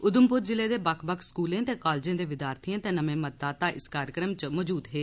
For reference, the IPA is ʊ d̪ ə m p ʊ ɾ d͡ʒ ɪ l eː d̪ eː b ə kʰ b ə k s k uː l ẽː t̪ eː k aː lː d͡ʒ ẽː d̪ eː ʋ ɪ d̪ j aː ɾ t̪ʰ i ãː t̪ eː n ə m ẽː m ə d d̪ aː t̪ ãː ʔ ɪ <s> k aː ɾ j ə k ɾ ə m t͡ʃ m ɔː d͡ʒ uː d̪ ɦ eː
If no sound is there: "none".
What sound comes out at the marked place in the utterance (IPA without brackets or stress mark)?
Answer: s